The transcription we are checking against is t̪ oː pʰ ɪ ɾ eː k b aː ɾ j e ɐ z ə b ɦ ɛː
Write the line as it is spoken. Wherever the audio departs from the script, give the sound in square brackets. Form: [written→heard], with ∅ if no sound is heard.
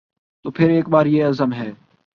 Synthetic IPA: t̪ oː pʰ ɪ ɾ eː k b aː ɾ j e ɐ z ə [b→m] ɦ ɛː